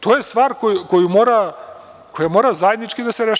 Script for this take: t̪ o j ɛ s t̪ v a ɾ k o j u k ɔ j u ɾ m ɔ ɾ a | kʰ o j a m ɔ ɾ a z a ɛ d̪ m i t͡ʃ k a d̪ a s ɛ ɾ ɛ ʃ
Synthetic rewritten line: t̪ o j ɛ s t̪ v a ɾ k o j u k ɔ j u m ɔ ɾ a | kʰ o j a m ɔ ɾ a z a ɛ d̪ n i t͡ʃ k i d̪ a s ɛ ɾ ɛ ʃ